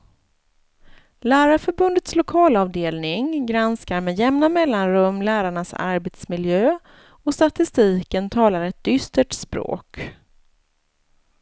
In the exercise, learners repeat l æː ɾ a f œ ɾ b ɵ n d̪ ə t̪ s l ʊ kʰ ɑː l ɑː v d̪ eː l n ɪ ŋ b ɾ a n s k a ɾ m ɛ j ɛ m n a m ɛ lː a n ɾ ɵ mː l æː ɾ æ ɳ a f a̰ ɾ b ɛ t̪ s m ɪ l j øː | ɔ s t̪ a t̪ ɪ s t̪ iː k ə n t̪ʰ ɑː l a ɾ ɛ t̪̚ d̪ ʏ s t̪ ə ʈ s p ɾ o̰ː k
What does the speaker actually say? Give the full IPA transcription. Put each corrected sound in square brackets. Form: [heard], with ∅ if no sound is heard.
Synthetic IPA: l æː ɾ a f œ ɾ b ɵ n d̪ ə t̪ s l ʊ kʰ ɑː l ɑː v d̪ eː l n ɪ ŋ [ɡ] ɾ a n s k a ɾ m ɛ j ɛ m n a m ɛ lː a n ɾ ɵ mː l æː ɾ [a] ɳ a [s] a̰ ɾ b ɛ t̪ s m ɪ l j øː | ɔ s t̪ a t̪ ɪ s t̪ iː k ə n t̪ʰ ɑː l a ɾ ɛ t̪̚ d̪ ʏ s t̪ ə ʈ s p ɾ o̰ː k